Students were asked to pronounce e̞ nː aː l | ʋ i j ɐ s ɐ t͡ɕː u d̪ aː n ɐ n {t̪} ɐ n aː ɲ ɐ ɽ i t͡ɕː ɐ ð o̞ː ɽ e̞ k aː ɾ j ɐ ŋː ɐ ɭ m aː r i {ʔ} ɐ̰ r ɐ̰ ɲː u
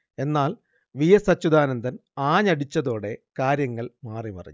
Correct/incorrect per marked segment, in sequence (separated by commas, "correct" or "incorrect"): incorrect, incorrect